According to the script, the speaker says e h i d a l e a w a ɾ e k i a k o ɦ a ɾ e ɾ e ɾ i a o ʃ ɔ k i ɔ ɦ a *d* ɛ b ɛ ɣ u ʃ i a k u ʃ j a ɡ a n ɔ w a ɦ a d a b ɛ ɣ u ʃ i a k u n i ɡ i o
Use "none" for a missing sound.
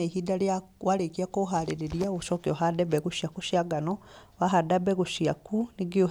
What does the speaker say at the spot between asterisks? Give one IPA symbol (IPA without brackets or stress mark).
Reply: d